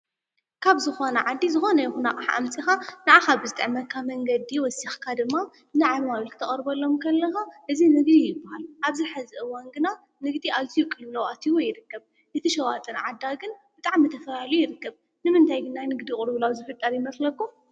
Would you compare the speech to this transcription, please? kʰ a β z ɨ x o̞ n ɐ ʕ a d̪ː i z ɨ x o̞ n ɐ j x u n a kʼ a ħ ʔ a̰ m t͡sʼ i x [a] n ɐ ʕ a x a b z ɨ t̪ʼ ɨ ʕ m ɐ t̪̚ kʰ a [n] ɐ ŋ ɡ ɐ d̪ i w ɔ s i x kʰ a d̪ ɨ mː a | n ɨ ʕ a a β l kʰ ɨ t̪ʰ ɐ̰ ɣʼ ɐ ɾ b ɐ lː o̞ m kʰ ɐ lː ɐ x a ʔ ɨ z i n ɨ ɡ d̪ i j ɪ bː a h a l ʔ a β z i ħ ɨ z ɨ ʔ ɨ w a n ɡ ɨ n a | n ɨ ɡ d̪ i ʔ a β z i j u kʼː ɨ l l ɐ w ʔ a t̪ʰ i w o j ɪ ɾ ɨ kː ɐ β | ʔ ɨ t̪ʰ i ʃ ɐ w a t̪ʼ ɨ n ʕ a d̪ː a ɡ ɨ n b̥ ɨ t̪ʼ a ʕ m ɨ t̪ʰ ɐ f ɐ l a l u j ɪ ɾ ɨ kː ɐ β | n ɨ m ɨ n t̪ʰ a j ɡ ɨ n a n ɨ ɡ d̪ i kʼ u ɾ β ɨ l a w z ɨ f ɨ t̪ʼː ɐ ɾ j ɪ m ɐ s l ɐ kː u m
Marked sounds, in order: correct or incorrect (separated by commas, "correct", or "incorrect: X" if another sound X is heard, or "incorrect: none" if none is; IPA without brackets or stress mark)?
correct, incorrect: m